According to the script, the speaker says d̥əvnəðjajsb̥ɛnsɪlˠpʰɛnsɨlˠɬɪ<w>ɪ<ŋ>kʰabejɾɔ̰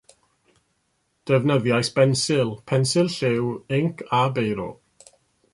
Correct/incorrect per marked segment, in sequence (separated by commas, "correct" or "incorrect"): correct, correct